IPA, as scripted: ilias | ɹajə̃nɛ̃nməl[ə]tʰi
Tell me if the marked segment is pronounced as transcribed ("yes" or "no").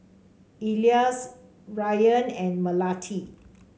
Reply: no